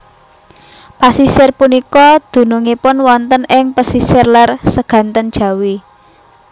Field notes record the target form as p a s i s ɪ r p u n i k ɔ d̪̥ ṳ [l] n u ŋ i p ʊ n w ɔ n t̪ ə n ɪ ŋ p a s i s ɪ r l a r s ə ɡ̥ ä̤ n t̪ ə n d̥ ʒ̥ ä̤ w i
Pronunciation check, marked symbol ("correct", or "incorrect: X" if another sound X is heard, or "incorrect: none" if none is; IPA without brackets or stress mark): incorrect: none